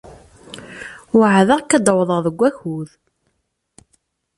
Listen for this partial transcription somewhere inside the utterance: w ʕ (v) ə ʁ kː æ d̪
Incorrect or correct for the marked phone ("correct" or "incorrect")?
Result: incorrect